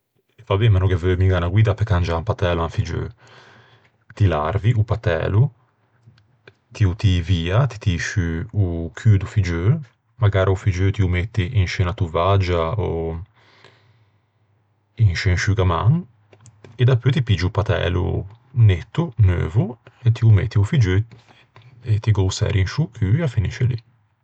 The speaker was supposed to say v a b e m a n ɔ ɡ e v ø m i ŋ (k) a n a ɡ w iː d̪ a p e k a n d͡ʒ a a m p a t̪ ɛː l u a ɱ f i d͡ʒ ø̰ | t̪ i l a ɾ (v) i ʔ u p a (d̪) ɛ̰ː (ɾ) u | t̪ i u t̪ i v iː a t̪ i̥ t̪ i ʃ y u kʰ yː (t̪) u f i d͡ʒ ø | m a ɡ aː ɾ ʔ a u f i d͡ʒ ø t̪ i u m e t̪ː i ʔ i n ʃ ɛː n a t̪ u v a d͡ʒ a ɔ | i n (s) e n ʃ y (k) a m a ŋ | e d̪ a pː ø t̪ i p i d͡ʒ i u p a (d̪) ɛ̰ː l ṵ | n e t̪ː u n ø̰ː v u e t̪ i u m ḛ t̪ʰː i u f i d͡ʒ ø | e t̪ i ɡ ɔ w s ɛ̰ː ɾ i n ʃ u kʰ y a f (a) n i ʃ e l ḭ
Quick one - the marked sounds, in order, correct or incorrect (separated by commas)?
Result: incorrect, correct, incorrect, incorrect, incorrect, incorrect, incorrect, incorrect, incorrect